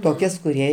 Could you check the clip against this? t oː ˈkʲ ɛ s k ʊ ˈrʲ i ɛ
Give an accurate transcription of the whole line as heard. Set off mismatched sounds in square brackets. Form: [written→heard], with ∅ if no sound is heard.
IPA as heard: t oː ˈkʲ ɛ s k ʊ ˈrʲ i ɛ